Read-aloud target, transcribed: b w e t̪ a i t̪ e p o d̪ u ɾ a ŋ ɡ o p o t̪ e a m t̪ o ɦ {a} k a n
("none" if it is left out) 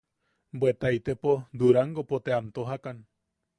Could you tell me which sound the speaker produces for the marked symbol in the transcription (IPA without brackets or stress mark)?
a